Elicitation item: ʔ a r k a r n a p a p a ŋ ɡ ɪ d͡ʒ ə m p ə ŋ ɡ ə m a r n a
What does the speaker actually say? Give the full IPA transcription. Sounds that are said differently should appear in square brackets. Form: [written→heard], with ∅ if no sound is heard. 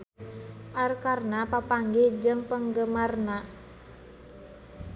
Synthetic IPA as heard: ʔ a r k a r n a p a p a ŋ ɡ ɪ d͡ʒ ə [m→ŋ] p ə ŋ ɡ ə m a r n a